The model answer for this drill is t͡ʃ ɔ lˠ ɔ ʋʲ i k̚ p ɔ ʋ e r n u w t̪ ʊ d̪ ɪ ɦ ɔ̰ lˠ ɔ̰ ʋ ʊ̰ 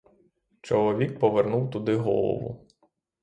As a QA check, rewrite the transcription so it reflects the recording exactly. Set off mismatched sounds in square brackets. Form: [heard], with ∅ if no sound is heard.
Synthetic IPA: t͡ʃ ɔ lˠ ɔ ʋʲ i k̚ p ɔ ʋ e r n u w t̪ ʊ d̪ ɪ ɦ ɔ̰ lˠ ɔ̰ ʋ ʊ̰